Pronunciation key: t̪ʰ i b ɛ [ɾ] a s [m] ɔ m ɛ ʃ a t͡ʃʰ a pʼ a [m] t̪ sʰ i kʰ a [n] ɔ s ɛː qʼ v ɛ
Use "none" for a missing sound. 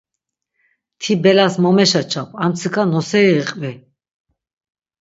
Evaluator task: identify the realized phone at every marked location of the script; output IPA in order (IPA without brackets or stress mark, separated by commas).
l, m, m, n